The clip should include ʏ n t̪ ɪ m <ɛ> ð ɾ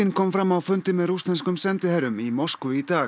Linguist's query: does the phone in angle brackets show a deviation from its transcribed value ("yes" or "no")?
no